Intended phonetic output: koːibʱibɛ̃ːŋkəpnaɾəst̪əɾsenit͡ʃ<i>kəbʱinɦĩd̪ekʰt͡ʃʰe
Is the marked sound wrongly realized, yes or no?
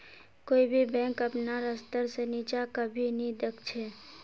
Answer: yes